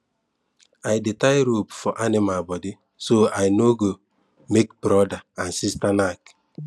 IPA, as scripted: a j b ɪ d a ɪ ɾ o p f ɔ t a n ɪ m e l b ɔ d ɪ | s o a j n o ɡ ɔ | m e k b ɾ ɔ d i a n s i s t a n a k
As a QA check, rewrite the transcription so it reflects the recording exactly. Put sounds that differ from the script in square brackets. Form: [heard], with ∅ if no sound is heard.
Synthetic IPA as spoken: a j [d] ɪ [t] a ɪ ɾ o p f ɔ [ʔ] a n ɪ m [a] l b ɔ d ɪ | s o a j n o ɡ [o] | m e k b ɾ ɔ d [a] a n s i s t a n a k